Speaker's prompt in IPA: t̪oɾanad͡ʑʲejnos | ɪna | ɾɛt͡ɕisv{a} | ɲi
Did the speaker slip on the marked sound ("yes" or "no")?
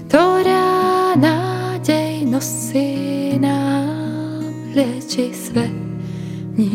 yes